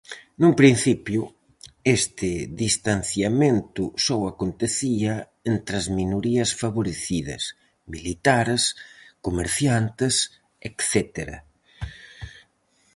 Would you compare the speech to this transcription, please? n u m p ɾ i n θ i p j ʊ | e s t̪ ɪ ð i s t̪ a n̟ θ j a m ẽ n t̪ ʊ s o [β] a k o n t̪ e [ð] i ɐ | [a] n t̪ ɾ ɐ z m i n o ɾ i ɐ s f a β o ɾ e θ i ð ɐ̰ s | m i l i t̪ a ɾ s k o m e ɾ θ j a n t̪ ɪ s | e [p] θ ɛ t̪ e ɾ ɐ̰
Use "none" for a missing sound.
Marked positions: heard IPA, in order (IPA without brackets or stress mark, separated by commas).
w, θ, e, k